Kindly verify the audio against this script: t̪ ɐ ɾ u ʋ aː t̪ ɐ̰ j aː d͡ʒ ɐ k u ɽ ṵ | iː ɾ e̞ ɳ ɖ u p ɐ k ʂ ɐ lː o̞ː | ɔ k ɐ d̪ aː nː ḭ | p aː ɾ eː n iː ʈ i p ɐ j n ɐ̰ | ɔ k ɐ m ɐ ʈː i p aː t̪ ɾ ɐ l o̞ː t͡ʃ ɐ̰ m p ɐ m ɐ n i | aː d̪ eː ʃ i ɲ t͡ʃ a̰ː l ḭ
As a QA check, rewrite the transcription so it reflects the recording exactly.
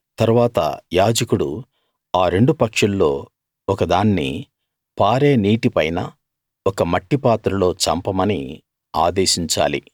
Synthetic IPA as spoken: t̪ ɐ ɾ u ʋ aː t̪ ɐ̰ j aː d͡ʒ ɐ k u ɽ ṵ | aː ɾ e̞ ɳ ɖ u p ɐ k ʂ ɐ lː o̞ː | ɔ k ɐ d̪ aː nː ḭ | p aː ɾ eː n iː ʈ i p ɐ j n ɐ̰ | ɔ k ɐ m ɐ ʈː i p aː t̪ ɾ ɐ l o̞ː t͡ʃ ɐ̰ m p ɐ m ɐ n i | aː d̪ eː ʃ i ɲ t͡ʃ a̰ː l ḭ